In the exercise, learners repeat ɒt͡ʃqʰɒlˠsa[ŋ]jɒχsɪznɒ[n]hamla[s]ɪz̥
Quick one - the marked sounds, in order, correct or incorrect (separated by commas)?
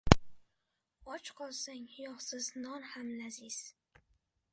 correct, correct, incorrect